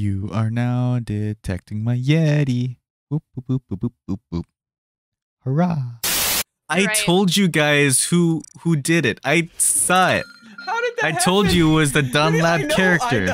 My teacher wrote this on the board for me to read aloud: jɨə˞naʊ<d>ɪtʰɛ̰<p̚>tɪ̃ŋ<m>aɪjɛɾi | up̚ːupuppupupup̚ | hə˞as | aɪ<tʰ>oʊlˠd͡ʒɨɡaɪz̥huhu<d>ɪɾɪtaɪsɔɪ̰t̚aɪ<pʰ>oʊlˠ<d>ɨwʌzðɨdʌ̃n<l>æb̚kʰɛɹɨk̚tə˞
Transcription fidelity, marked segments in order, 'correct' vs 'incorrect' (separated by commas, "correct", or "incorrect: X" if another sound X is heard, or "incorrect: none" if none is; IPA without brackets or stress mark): correct, incorrect: k̚, correct, correct, correct, incorrect: tʰ, incorrect: d͡ʒ, correct